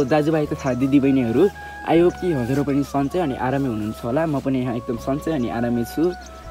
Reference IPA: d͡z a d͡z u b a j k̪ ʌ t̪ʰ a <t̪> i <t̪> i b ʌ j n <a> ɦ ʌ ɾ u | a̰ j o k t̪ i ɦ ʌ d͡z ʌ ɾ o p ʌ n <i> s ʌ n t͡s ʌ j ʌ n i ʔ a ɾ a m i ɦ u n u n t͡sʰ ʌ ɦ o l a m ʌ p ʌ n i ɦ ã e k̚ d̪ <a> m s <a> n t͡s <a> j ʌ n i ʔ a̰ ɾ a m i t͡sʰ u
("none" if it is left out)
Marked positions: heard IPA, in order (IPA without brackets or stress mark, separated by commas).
d̪, d̪, e, i, ʌ, ʌ, ʌ